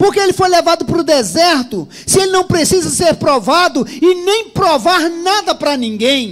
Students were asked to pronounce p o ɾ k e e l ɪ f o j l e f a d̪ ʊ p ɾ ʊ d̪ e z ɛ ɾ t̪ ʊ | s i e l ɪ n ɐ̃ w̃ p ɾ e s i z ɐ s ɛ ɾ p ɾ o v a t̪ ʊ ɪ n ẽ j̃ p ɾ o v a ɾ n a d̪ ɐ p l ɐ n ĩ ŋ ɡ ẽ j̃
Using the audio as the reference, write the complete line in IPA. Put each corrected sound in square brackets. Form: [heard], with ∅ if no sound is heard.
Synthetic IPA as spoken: p o ɾ k e e l ɪ f o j l e [v] a d̪ ʊ p ɾ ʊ d̪ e z ɛ ɾ t̪ ʊ | s [ɪ] e l ɪ n ɐ̃ w̃ p ɾ e s i z ɐ s [e] ɾ p ɾ o v a [d̪] ʊ ɪ n ẽ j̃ p ɾ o v a ɾ n a d̪ ɐ p [ɾ] ɐ n ĩ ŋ ɡ ẽ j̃